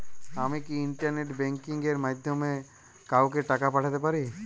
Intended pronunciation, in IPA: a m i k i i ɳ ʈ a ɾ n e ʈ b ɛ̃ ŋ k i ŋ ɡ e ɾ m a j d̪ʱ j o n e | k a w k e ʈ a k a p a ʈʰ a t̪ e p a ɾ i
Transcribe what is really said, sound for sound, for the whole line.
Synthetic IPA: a m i k i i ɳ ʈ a ɾ n e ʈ b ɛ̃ ŋ k i ŋ ɡ e ɾ m a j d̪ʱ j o m e | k a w k e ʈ a k a p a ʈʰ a t̪ e p a ɾ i

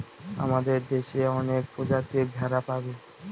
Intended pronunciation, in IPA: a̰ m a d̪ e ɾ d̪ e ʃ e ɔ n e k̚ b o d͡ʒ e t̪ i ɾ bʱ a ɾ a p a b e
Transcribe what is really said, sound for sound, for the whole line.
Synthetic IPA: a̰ m a d̪ e ɾ d̪ e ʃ e ɔ n e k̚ p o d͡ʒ a t̪ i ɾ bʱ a ɾ a p a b e

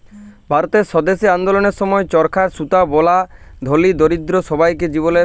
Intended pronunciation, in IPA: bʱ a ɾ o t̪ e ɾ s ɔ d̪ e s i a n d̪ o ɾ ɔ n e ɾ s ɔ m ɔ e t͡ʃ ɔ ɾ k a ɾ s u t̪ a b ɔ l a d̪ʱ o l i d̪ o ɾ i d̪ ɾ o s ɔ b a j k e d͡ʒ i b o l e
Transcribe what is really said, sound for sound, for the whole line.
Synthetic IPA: bʱ a ɾ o t̪ e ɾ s ɔ d̪ e s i a n d̪ o l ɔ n e ɾ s ɔ m ɔ e t͡ʃ ɔ ɾ kʰ a ɾ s u t̪ a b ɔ l a d̪ʱ o l i d̪ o ɾ i d̪ ɾ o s ɔ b a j k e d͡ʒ i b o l e

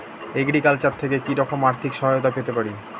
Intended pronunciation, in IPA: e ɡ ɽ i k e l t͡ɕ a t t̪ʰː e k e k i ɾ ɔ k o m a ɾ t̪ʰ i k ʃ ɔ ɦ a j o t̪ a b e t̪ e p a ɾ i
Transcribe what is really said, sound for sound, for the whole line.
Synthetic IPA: e ɡ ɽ i k a l t͡ɕ a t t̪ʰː e k e k i ɾ ɔ k o m a ɾ t̪ʰ i k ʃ ɔ ɦ a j o t̪ a p e t̪ e p a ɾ i

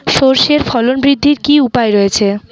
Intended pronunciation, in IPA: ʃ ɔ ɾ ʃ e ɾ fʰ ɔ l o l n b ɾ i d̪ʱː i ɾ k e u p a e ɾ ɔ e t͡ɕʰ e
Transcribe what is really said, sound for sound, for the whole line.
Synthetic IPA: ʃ o ɾ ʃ e ɾ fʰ ɔ l o n b ɾ i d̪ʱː i ɾ k i u p a e ɾ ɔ e t͡ɕʰ e

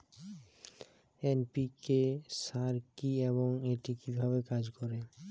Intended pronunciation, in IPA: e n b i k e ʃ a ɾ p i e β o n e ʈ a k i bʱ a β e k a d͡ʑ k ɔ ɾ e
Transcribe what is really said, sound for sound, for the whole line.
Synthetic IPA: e n p i k e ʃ a ɾ k i e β o ŋ e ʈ i k i bʱ a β e k a d͡ʑ k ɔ ɾ e

